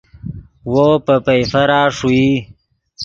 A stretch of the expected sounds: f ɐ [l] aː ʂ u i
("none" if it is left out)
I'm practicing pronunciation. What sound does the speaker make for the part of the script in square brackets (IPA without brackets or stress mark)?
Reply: ɾ